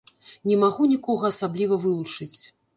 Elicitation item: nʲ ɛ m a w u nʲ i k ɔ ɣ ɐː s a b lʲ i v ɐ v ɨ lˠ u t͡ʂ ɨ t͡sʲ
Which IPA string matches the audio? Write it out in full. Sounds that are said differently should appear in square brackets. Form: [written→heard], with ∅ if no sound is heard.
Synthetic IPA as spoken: nʲ ɛ m a [w→ɣ] u nʲ i k ɔ ɣ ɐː s a b lʲ i v ɐ v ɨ lˠ u t͡ʂ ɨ t͡sʲ